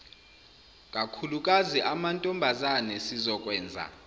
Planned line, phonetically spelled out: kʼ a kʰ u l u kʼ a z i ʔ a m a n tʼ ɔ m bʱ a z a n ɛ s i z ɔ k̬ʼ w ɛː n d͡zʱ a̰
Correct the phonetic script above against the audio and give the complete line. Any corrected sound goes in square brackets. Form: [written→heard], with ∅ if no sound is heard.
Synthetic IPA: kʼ a kʰ u l u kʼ a z i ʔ a m a n tʼ ɔ m bʱ a z a n ɛ s i z ɔ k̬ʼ w ɛː n d͡zʱ a̰